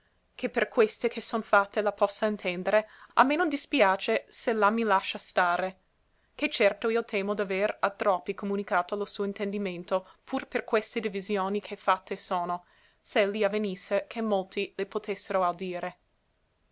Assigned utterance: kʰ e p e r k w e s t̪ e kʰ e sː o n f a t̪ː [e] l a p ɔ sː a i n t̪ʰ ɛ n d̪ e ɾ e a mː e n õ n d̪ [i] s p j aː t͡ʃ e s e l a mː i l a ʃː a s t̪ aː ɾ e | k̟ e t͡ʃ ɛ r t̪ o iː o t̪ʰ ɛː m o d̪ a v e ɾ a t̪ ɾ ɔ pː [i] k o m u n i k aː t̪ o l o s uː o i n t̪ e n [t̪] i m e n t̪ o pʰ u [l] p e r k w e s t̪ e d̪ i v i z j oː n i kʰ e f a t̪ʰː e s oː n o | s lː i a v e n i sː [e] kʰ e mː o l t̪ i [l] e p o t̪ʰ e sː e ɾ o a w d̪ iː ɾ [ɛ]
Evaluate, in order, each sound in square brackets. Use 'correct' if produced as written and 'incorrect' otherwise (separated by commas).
correct, correct, correct, incorrect, incorrect, correct, correct, incorrect